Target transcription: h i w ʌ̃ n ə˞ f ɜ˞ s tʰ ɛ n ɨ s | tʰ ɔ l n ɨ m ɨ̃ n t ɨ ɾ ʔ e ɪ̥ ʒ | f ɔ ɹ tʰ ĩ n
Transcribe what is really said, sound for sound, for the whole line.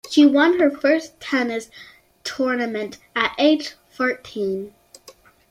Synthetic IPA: ʃ i w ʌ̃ n ə˞ f ɜ˞ s tʰ ɛ n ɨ s | tʰ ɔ ɹ n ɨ m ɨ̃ n t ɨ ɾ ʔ e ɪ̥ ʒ | f ɔ ɹ tʰ ĩ n